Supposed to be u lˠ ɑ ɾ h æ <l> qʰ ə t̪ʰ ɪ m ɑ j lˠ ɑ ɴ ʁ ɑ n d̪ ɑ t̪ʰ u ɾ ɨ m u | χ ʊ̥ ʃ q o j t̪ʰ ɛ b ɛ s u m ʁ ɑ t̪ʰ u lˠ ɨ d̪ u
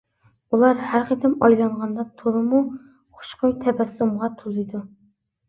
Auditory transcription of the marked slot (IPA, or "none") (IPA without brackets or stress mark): ɾ